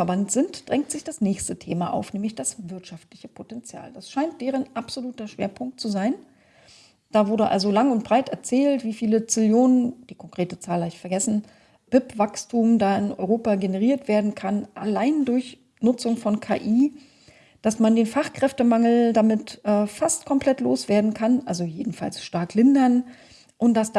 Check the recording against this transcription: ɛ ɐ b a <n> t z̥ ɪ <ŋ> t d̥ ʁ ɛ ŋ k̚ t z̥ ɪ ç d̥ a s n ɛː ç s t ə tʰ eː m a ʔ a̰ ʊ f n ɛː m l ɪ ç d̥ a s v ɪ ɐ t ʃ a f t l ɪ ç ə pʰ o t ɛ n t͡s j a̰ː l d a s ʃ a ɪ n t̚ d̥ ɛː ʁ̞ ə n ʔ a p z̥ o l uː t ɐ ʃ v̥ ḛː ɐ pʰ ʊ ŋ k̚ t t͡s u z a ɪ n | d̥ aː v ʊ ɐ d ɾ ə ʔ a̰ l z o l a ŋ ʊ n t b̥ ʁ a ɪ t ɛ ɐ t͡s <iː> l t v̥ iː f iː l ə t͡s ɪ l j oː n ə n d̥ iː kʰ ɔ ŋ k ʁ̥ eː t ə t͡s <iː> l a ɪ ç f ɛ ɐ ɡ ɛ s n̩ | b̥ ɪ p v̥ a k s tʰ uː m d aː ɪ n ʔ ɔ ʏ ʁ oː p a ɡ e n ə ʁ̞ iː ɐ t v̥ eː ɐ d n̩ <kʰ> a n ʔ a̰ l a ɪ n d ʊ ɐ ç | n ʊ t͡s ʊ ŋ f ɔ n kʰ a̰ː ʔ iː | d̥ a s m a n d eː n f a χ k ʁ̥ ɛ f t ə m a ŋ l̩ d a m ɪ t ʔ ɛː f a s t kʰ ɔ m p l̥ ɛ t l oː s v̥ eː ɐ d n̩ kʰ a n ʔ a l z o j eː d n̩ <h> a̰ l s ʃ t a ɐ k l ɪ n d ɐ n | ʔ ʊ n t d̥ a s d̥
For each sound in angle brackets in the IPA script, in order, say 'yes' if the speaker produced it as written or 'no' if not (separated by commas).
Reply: yes, no, no, no, yes, no